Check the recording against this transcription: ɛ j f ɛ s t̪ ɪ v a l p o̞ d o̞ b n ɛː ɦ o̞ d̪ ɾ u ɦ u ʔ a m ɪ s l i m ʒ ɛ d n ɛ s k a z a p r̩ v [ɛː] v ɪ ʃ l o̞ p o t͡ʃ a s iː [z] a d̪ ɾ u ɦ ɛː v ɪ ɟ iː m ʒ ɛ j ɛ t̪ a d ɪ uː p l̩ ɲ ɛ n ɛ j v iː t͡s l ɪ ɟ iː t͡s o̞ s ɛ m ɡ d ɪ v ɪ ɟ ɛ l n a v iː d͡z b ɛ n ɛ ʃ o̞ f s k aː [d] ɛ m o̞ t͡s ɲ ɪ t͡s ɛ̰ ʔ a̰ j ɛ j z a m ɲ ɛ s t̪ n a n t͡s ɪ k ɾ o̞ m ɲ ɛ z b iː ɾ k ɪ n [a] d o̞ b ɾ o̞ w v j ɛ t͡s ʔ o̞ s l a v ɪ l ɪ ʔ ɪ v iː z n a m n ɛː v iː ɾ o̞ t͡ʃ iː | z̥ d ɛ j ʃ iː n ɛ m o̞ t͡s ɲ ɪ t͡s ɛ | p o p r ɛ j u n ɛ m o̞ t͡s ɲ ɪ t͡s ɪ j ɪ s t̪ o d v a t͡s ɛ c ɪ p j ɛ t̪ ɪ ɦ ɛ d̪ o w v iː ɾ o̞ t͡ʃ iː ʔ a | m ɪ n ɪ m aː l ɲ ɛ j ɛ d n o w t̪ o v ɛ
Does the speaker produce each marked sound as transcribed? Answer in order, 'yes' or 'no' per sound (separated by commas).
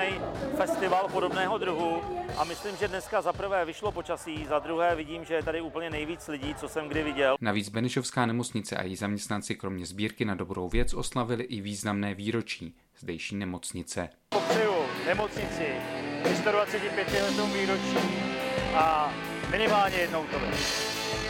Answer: yes, yes, no, yes